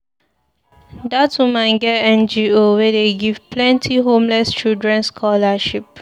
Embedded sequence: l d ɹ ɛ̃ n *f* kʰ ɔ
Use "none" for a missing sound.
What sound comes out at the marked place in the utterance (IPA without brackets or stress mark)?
s